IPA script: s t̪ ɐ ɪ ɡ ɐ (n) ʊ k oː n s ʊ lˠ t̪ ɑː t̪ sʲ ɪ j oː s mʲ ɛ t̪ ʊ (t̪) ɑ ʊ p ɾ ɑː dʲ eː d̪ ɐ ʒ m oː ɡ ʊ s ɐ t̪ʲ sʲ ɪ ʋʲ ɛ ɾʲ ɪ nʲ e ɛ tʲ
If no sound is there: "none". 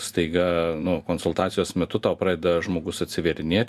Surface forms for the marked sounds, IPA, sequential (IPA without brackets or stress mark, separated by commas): n, t̪